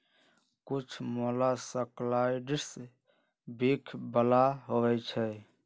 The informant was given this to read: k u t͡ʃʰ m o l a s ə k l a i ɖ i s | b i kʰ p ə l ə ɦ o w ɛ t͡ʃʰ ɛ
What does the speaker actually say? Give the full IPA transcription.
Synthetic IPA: k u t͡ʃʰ m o l a s ə k l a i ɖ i s | b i kʰ b ə l a ɦ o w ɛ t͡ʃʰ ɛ